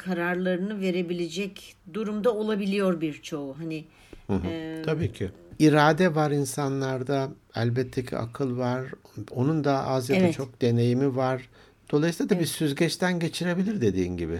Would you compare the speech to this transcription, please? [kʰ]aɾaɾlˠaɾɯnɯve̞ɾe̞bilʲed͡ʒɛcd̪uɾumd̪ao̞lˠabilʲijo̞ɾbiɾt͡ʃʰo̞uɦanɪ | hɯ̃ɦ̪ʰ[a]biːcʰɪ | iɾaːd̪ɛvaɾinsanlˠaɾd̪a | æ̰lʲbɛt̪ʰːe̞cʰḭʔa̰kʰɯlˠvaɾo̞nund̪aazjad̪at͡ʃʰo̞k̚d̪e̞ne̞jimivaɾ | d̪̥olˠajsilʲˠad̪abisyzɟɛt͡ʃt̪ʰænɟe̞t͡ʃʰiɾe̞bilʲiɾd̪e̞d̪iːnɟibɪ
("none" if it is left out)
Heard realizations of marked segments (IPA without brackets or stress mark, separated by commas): kʰ, a